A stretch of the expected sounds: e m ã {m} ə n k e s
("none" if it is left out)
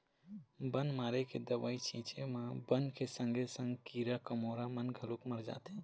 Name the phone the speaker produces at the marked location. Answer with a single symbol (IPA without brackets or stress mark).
b